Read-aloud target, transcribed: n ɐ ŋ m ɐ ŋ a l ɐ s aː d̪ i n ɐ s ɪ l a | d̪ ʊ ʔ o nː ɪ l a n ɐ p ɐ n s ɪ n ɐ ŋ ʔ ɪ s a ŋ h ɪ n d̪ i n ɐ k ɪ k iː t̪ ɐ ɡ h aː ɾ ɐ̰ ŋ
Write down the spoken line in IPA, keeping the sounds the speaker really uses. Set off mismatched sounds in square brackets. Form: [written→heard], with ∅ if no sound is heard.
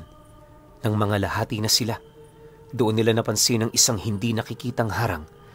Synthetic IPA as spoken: n ɐ ŋ m ɐ ŋ a l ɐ [s→h] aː [d̪→t̪] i n ɐ s ɪ l a | d̪ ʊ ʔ o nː ɪ l a n ɐ p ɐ n s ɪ n ɐ ŋ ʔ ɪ s a ŋ h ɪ n d̪ i n ɐ k ɪ k iː t̪ ɐ [ɡ→ŋ] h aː ɾ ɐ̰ ŋ

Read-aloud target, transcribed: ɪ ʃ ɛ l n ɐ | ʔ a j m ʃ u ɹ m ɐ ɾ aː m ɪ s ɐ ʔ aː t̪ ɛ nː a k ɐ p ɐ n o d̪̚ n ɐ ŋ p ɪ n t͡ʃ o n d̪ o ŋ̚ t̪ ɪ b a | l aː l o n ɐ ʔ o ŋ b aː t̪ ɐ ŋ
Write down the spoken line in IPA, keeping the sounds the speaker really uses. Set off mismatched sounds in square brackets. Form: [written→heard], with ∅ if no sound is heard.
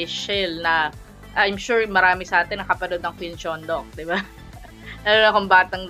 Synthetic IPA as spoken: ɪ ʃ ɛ l n ɐ | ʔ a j m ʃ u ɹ m ɐ ɾ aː m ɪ s ɐ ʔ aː t̪ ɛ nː [a→ɐ] k ɐ p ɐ n o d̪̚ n ɐ ŋ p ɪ n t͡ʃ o n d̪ o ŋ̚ [t̪→d̪] ɪ b a | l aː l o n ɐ [ʔ→k] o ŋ b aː t̪ ɐ ŋ

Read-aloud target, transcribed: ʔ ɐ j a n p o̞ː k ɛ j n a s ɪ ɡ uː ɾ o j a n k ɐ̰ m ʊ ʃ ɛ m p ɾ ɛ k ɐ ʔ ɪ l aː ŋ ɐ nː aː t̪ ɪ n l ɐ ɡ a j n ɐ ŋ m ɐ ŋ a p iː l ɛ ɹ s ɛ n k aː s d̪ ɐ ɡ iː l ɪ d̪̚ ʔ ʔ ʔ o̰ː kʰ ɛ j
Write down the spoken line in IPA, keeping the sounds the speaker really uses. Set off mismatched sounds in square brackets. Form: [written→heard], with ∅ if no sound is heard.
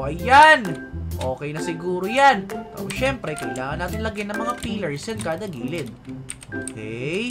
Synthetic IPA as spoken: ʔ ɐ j a n [p→ʔ] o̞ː k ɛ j n [a→ɐ] s ɪ ɡ uː ɾ o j a n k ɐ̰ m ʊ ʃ ɛ m p ɾ ɛ k ɐ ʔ ɪ l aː ŋ ɐ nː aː t̪ ɪ n l ɐ ɡ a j n ɐ ŋ m ɐ ŋ a p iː l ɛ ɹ s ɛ n k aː [s→∅] d̪ ɐ ɡ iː l ɪ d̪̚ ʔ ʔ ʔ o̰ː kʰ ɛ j

